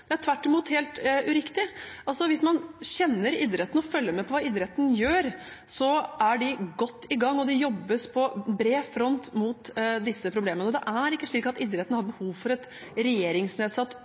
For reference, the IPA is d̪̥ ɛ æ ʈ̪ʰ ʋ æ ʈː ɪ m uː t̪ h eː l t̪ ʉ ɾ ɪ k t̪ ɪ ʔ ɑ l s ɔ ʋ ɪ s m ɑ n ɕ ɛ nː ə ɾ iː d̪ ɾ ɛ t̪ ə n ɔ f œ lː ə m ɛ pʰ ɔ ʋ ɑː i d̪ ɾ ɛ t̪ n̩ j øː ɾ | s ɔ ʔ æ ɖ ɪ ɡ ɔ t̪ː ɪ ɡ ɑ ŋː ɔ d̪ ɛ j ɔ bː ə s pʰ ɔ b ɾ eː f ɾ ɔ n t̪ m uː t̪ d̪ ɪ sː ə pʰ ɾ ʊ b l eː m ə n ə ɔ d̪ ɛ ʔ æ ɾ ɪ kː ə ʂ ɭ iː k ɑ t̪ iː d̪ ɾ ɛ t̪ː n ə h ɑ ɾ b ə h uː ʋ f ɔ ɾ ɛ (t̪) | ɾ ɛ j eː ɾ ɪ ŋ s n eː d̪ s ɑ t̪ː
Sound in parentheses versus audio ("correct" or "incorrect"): correct